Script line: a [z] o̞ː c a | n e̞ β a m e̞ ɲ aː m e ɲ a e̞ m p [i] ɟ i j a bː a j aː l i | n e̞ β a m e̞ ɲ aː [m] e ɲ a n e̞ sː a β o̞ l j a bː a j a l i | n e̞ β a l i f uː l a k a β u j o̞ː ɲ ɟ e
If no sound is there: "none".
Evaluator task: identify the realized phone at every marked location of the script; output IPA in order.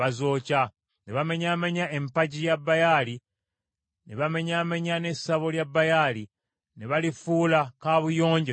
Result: z, a, m

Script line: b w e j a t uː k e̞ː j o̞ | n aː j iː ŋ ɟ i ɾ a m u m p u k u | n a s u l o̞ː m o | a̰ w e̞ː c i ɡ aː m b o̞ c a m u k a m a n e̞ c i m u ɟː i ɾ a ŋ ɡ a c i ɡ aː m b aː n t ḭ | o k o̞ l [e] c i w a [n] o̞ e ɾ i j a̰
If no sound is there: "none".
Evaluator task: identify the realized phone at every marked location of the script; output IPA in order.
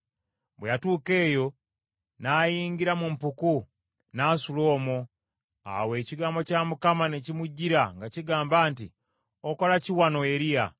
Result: a, n

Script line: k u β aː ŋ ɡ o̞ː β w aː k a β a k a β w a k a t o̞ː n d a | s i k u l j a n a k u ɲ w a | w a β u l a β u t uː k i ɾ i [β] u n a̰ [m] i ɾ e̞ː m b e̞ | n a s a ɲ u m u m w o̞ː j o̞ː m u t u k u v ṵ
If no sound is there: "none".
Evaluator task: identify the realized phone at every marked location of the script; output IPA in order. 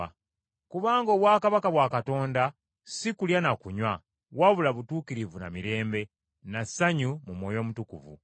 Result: v, m

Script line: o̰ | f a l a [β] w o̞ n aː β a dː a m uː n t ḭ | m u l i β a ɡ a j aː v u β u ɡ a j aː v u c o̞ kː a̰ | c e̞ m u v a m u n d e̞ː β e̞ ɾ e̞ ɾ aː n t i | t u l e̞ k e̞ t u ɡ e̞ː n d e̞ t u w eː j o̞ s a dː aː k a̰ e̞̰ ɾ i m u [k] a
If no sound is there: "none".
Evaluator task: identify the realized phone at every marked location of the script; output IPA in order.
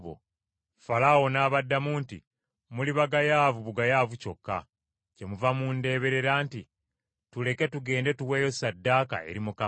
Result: none, k

